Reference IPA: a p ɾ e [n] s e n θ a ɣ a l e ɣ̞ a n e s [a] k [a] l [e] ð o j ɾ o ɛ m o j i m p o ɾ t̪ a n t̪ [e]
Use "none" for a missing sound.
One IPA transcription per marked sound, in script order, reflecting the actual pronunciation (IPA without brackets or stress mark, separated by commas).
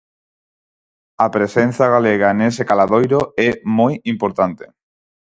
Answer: none, e, a, a, e